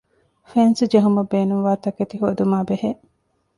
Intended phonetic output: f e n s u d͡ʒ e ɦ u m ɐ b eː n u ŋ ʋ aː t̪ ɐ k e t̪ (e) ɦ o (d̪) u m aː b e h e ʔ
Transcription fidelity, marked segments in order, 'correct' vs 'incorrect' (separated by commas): incorrect, correct